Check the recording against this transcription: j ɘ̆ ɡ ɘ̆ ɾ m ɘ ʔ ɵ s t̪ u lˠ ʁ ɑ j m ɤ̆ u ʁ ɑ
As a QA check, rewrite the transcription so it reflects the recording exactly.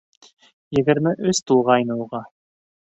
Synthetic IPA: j ɘ̆ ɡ ɘ̆ ɾ m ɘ ʔ ɵ s t̪ u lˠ ʁ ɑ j n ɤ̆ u ʁ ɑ